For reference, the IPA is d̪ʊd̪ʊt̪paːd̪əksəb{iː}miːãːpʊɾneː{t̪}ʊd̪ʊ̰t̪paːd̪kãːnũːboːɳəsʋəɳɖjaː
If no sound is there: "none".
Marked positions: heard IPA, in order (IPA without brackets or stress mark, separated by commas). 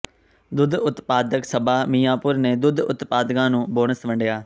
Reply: aː, d̪